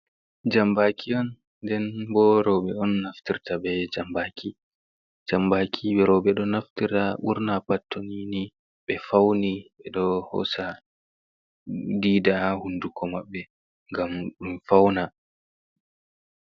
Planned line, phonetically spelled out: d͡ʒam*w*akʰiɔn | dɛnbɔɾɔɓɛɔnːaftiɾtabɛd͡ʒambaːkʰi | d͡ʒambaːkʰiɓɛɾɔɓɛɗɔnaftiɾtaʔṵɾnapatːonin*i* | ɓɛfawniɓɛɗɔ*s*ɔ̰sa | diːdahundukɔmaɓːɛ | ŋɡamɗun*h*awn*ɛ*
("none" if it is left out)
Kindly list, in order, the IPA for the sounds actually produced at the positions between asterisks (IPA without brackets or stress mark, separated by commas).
b, i, h, f, a